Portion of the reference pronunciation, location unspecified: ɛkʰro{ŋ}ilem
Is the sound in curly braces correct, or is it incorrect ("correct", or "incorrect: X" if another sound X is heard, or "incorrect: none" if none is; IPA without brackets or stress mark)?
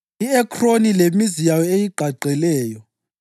incorrect: n